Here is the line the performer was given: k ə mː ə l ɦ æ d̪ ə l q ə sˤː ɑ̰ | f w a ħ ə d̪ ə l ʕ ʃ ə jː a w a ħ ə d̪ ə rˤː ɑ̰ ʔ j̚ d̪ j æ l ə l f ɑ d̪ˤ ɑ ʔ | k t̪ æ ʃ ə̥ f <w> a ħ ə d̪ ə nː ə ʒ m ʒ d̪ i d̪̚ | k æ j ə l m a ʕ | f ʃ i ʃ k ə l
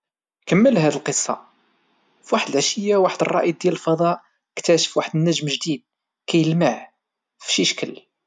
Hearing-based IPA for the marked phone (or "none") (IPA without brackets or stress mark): w